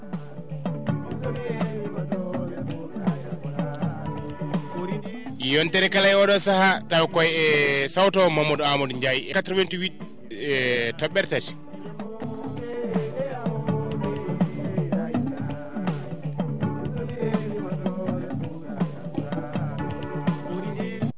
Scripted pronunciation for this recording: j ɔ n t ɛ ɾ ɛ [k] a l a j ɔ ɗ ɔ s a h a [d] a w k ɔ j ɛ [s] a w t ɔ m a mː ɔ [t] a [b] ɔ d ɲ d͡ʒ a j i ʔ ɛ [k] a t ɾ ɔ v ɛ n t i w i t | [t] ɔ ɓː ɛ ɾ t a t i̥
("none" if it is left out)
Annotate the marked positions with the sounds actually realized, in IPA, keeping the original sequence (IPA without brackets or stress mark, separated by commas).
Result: k, t, s, d, m, k, t